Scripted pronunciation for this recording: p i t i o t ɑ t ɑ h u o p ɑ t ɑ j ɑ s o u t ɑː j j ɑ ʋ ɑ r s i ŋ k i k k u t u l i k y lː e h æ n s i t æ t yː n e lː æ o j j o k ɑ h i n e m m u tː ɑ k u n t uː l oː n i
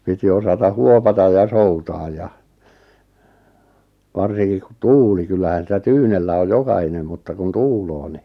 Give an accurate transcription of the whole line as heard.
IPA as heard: p i t i o s ɑ t ɑ h u o p ɑ t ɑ j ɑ s o u t ɑː j j ɑ ʋ ɑ r s i ŋ k i k k u t uː l i k y lː æ h æ n s i t æ t yː n e lː æ o j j o k ɑ h i n e m m u tː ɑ k u n t uː l oː n i